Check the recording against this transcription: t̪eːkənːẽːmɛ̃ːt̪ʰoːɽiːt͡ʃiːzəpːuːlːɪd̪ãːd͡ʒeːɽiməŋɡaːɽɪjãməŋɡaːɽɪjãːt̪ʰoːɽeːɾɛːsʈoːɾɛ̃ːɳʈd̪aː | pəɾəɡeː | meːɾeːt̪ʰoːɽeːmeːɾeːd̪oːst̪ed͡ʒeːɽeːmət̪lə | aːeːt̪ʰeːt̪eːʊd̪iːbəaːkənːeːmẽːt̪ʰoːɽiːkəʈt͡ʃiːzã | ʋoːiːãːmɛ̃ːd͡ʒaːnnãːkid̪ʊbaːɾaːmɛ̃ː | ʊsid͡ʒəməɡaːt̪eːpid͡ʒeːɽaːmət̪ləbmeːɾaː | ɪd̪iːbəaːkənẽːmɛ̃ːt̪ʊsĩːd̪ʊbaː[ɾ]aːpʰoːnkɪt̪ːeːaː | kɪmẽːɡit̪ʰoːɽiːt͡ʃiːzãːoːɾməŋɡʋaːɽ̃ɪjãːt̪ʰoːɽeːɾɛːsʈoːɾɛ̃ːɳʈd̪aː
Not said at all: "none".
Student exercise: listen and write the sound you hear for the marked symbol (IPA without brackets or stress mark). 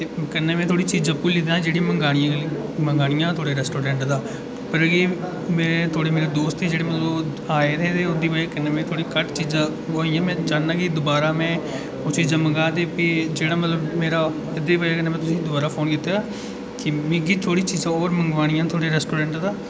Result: ɾ